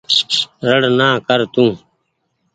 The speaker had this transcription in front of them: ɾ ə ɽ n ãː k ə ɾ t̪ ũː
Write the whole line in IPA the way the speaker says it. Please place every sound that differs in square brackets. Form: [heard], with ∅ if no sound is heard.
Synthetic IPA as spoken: ɾ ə ɽ n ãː k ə ɾ t̪ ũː